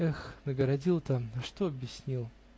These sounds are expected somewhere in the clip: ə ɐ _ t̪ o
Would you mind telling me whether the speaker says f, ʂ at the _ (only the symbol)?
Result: ʂ